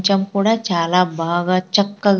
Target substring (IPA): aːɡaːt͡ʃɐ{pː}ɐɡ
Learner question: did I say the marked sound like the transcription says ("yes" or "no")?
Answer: no